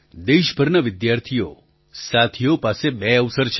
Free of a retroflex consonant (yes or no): yes